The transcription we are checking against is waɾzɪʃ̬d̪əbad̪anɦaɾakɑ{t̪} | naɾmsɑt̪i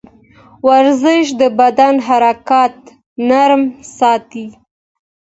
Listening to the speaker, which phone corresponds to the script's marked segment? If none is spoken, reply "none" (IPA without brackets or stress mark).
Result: t̪